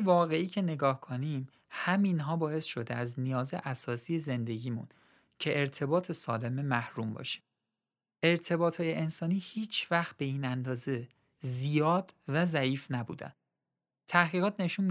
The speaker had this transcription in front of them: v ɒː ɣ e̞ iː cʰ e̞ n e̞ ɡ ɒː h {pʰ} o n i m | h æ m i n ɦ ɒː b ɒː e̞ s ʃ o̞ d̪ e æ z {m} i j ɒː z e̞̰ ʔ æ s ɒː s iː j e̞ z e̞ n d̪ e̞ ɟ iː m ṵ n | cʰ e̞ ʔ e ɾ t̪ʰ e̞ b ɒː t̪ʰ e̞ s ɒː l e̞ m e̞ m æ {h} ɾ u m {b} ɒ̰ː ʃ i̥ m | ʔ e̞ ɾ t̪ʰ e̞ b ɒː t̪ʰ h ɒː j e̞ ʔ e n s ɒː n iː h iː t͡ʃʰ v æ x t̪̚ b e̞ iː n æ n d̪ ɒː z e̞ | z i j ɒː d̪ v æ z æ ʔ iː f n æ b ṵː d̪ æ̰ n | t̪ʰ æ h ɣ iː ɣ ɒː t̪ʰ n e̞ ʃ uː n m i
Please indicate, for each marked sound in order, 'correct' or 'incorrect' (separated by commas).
incorrect, incorrect, correct, correct